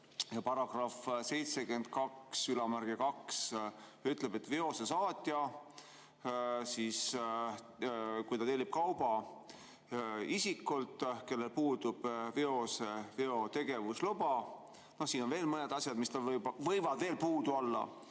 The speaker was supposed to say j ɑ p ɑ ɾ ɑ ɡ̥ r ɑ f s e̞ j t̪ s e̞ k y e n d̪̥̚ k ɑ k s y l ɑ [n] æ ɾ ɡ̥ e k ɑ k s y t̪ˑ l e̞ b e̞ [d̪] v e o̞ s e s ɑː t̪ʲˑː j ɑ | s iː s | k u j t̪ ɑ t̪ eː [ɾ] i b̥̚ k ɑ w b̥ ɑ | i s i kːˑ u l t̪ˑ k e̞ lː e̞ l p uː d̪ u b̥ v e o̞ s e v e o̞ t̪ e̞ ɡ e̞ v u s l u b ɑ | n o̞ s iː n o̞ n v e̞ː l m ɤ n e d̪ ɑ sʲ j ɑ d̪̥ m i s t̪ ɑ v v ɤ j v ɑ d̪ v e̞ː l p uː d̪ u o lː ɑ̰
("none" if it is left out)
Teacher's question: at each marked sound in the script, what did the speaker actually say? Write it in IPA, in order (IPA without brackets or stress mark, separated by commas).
m, t̪, l